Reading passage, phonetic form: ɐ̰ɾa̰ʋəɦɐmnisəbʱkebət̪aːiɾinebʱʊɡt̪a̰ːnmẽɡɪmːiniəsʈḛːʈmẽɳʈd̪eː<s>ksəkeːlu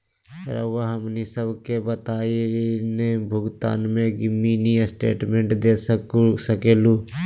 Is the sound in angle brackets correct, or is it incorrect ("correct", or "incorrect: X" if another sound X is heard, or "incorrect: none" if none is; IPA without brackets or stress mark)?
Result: correct